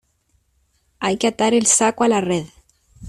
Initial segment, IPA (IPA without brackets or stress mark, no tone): a